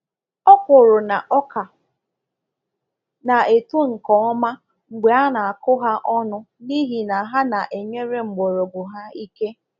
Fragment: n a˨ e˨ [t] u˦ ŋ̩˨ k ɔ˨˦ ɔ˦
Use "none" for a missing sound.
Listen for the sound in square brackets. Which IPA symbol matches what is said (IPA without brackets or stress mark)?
t